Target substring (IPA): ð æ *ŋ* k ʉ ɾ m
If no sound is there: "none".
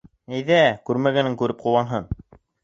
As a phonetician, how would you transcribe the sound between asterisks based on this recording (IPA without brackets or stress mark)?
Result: none